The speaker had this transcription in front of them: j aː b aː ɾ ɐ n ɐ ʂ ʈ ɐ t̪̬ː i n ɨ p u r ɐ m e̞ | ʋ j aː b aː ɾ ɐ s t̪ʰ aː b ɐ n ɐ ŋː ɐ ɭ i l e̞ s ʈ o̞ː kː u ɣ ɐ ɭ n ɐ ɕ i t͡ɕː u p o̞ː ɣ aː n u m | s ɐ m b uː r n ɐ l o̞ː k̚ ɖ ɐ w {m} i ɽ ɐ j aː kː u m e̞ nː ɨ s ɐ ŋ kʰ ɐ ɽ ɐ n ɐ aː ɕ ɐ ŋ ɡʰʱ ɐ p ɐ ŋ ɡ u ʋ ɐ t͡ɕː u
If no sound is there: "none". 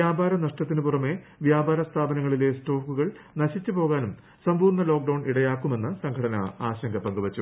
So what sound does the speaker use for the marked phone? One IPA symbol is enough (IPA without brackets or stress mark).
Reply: ɳ